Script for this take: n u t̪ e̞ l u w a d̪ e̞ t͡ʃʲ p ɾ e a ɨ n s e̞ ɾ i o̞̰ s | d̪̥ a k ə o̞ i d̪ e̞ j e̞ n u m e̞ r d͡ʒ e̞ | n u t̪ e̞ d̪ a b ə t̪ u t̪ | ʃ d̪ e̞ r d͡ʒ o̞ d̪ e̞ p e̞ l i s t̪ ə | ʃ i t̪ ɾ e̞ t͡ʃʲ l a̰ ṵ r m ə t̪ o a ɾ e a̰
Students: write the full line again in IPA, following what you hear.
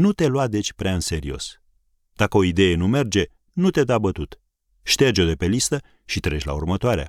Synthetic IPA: n u t̪ e̞ l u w a d̪ e̞ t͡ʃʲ p ɾ e a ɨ n s e̞ ɾ i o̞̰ s | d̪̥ a k ə o̞ i d̪ e̞ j e̞ n u m e̞ r d͡ʒ e̞ | n u t̪ e̞ d̪ a b ə t̪ u t̪ | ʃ t̪ e̞ r d͡ʒ o̞ d̪ e̞ p e̞ l i s t̪ ə | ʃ i t̪ ɾ e̞ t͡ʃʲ l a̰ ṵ r m ə t̪ o a ɾ e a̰